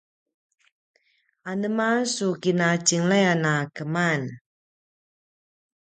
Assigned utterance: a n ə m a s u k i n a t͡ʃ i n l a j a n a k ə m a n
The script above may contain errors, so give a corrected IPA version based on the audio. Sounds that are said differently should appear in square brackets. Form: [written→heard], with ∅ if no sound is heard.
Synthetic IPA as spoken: a n ə m a s u k i n a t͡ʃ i [n→ŋ] l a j a n a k ə m a n